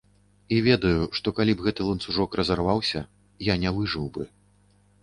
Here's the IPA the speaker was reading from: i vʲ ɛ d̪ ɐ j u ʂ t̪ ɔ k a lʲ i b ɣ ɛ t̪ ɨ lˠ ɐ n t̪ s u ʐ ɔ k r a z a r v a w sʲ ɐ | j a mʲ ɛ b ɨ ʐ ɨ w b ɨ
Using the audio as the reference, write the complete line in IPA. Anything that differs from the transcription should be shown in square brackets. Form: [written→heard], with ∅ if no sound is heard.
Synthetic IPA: i vʲ ɛ d̪ ɐ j u ʂ t̪ ɔ k a lʲ i b ɣ ɛ t̪ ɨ lˠ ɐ n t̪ s u ʐ ɔ k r [a→ɐ] z a r v a w sʲ ɐ | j a [mʲ→nʲ] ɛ [b→v] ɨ ʐ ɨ w b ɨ